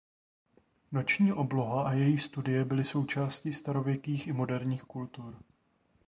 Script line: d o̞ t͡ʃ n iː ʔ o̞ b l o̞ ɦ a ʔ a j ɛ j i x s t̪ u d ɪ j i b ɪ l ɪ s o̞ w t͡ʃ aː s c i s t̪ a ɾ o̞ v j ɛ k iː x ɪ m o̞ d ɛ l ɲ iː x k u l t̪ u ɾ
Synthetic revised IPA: n o̞ t͡ʃ ɲ iː ʔ o̞ b l o̞ ɦ a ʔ a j ɛ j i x s t̪ u d ɪ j ɛ b ɪ l ɪ s o̞ w t͡ʃ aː s c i s t̪ a ɾ o̞ v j ɛ k iː x ɪ m o̞ d ɛ ɾ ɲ iː x k u l t̪ u ɾ